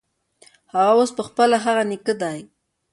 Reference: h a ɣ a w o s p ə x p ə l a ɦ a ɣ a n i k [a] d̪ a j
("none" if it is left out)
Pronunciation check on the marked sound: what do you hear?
ə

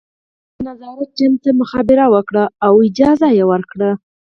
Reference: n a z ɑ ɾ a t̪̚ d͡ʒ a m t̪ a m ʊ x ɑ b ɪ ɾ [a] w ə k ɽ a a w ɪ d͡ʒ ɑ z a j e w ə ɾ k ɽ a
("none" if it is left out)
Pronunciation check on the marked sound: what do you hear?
a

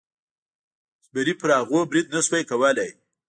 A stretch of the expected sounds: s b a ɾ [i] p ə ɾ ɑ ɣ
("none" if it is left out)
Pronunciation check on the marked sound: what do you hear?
i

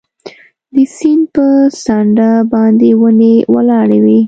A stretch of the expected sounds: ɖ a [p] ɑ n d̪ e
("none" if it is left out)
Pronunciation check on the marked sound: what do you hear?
b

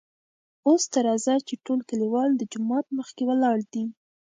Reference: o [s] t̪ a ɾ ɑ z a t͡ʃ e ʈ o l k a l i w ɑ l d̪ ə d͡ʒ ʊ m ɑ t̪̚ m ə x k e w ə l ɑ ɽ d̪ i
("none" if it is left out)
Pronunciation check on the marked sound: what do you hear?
s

